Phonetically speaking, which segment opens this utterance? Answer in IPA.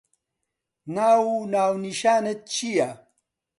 n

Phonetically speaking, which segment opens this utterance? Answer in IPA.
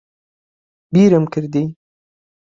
b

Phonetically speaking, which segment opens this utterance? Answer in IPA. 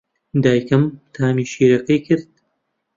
d̪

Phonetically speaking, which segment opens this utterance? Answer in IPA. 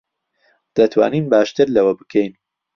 d̪̥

